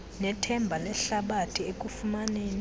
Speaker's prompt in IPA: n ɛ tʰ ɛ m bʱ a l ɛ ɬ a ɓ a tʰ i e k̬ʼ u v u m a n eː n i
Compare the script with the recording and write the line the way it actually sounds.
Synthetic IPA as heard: n ɛ tʰ ɛ m bʱ a l ɛ ɬ a ɓ a tʰ i e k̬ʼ u f u m a n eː n i